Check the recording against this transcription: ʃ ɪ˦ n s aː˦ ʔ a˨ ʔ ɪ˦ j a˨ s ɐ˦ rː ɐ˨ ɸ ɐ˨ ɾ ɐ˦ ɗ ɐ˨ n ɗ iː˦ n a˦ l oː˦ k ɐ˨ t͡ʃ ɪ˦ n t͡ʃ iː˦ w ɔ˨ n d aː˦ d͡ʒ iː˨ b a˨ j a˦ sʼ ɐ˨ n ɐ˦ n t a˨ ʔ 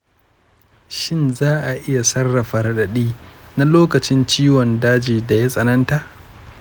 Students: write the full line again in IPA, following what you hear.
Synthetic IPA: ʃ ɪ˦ n z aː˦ ʔ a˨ ʔ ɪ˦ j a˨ s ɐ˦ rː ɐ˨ ɸ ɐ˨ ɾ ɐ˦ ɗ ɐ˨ ɗ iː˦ n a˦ l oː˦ k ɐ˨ t͡ʃ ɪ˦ n t͡ʃ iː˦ w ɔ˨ n d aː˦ d͡ʒ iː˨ d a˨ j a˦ sʼ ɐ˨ n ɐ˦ n t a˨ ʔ